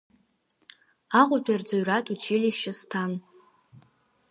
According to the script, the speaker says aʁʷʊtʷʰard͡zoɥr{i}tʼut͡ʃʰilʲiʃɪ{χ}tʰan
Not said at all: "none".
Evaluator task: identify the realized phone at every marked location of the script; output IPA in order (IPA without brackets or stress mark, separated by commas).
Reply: a, s